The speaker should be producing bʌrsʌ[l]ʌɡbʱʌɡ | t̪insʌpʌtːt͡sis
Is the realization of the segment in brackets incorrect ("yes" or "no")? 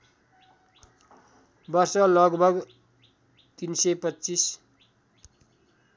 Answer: no